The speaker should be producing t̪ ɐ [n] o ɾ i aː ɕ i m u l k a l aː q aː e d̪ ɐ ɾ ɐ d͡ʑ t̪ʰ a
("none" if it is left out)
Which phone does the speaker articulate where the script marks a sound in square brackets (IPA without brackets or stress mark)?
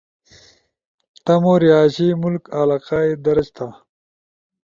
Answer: m